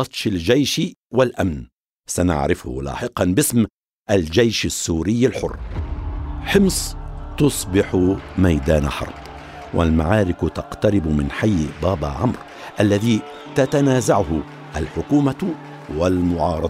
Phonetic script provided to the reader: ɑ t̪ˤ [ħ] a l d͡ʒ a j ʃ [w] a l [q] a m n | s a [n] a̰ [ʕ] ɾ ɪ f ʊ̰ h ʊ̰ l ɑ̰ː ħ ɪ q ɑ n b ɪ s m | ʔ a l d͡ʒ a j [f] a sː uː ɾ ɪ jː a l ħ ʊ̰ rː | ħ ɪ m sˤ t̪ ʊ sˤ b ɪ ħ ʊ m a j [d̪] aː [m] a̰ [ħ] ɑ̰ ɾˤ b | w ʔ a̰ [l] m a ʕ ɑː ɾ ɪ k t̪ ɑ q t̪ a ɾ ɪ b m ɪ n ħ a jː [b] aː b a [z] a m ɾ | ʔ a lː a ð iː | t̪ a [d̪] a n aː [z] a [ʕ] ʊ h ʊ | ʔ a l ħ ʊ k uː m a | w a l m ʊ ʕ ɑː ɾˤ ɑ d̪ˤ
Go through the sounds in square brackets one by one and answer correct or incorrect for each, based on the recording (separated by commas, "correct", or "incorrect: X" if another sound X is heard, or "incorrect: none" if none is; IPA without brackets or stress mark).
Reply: incorrect: ʃ, correct, incorrect: ʔ, correct, correct, incorrect: ʃ, correct, incorrect: n, correct, correct, correct, incorrect: ʕ, incorrect: t̪, correct, correct